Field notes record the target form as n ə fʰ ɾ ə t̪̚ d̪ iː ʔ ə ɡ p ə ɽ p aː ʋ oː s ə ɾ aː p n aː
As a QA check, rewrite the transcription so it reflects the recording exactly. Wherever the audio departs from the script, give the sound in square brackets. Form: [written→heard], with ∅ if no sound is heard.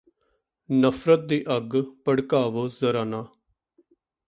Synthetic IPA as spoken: n ə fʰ ɾ ə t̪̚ d̪ iː ʔ ə ɡ p ə ɽ [p→k] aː ʋ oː [s→z] ə ɾ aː [p→∅] n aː